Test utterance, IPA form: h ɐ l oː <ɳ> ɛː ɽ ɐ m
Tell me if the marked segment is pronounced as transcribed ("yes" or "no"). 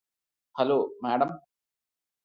no